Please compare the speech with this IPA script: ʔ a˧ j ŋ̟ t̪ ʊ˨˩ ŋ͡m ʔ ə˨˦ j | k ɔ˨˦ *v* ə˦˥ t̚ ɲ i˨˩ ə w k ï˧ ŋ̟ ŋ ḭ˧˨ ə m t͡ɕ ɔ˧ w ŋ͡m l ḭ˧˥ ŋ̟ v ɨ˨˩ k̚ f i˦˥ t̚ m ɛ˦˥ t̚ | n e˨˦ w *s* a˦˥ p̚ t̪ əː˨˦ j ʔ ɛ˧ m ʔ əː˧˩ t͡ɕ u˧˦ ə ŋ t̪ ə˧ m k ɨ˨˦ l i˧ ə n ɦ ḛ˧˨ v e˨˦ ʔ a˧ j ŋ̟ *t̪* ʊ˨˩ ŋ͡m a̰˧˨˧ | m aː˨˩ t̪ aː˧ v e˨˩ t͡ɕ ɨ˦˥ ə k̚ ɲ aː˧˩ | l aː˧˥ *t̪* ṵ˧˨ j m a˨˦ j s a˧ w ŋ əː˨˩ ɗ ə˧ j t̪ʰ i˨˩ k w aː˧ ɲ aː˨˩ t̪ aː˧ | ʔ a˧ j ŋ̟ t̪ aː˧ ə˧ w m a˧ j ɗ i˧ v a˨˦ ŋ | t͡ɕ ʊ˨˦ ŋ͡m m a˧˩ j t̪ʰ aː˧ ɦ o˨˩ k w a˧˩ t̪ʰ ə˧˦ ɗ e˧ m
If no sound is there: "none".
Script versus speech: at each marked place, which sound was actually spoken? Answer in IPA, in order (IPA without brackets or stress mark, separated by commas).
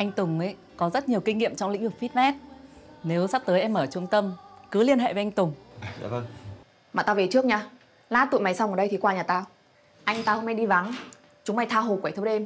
z, s, t̪, t̪